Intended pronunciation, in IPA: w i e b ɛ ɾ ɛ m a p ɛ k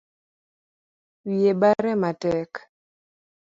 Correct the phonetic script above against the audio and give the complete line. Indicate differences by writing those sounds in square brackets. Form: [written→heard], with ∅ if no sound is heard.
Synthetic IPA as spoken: w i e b [ɛ→a] ɾ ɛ m a [p→t] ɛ k

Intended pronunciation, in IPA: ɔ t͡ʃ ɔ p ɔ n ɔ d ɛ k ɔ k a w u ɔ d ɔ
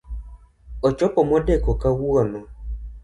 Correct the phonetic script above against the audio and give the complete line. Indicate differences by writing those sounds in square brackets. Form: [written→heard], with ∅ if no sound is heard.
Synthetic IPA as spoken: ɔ t͡ʃ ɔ p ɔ [n→m] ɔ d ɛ k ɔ k a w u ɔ [d→n] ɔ

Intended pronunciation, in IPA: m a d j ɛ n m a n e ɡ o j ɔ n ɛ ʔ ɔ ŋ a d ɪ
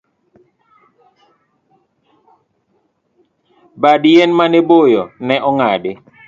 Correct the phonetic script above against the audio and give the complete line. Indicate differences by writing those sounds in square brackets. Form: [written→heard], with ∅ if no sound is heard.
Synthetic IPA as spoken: [m→b] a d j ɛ n m a n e [ɡ→b] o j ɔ n ɛ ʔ ɔ ŋ a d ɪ

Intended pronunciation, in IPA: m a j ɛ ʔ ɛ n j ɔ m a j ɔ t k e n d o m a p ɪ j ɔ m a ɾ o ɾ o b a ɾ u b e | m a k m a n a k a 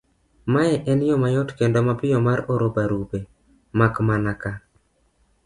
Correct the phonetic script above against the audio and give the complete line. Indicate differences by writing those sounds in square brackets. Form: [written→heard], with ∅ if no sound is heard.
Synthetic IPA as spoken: m a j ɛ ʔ ɛ n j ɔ m a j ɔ t k e n d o m a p ɪ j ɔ m a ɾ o ɾ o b a ɾ u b e | m a k m a n a k a

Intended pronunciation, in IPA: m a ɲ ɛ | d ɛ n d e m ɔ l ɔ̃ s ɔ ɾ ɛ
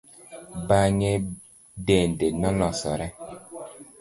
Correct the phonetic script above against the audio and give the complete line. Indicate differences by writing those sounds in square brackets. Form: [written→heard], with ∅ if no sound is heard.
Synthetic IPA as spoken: [m→b] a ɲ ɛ | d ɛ n d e [m→n] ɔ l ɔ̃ s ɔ ɾ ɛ

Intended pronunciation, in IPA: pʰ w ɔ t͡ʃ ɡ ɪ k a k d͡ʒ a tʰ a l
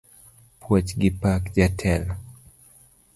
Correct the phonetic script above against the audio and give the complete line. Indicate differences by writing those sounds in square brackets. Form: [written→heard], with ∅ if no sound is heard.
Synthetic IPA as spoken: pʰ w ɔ t͡ʃ ɡ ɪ [k→p] a k d͡ʒ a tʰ [a→ɛ] l

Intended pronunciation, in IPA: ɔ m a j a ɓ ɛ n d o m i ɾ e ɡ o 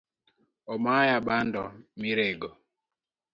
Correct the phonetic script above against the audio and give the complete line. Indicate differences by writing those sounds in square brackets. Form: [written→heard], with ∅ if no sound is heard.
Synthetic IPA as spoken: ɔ m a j a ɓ [ɛ→a] n d [o→ɔ] m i ɾ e ɡ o

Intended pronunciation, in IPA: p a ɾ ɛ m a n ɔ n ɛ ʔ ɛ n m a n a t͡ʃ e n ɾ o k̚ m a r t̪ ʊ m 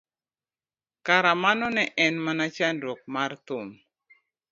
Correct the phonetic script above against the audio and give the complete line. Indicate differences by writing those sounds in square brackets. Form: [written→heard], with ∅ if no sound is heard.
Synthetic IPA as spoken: [p→k] a ɾ [ɛ→a] m a n ɔ n ɛ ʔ ɛ n m a n a t͡ʃ [e→a] n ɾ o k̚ m a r t̪ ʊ m

